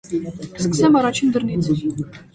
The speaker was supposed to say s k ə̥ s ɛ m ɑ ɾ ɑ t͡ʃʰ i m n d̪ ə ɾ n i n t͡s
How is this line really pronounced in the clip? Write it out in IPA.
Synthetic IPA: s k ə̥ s ɛ m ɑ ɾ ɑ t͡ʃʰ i n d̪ ə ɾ n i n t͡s